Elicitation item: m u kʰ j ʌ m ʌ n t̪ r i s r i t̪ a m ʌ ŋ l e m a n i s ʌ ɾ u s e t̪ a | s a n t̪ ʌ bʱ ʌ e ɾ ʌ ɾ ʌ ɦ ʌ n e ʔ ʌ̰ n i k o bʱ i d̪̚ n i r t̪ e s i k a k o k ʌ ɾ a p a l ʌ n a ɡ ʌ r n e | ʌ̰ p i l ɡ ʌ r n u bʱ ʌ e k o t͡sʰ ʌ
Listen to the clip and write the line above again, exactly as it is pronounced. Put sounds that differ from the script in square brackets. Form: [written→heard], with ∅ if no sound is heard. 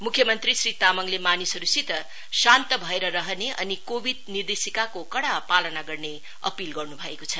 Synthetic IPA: m u kʰ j ʌ m ʌ n t̪ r i s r i t̪ a m ʌ ŋ l e m a n i s ʌ ɾ u s [e→i] t̪ [a→ʌ] | s a n t̪ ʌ bʱ ʌ e ɾ ʌ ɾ ʌ ɦ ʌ n e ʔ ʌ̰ n i k o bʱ i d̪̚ n i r [t̪→d̪] e s i k a k o k ʌ [ɾ→ɽ] a p a l ʌ n a ɡ ʌ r n e | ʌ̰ p i l ɡ ʌ r n u bʱ ʌ e k o t͡sʰ ʌ